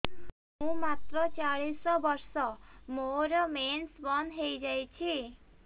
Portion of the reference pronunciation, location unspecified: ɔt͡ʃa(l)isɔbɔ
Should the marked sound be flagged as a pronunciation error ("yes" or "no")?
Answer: yes